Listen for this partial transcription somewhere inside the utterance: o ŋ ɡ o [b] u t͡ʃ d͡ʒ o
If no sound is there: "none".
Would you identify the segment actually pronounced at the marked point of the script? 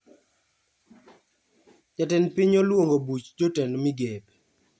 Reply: b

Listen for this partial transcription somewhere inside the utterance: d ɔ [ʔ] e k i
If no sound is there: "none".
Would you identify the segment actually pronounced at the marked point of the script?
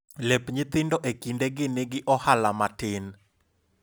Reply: ʔ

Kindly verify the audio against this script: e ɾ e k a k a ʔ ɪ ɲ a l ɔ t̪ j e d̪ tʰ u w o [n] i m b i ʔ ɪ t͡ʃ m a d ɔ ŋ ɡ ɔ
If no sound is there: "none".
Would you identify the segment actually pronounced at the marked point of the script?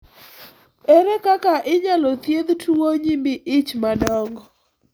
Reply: ɲ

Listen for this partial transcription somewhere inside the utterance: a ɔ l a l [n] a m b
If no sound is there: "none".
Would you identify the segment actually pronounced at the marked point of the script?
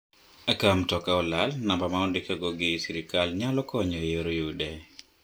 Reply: n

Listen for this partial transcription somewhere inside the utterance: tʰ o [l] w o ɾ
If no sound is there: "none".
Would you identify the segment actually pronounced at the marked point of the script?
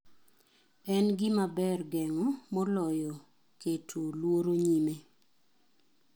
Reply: l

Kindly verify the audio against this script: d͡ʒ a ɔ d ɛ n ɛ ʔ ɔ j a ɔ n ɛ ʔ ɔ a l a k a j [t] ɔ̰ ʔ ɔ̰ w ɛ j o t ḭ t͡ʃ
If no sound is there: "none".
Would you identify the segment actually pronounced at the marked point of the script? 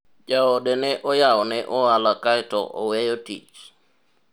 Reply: t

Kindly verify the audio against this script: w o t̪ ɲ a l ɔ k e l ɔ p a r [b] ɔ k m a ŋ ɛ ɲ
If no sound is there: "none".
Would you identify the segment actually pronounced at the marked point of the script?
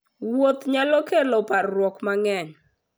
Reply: w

